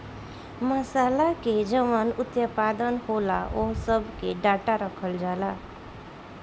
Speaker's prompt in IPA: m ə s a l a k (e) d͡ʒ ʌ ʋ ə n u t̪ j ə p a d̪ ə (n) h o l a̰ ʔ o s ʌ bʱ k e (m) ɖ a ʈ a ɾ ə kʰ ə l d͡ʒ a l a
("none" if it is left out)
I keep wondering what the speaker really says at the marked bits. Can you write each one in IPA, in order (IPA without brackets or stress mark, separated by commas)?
e, n, none